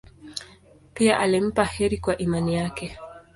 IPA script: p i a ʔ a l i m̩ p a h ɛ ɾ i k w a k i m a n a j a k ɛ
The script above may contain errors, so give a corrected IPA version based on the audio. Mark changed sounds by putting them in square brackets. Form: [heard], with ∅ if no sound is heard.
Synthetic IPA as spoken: p i a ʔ a l i m̩ p a h ɛ ɾ i k w a [ʔ] i m a n [i] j a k ɛ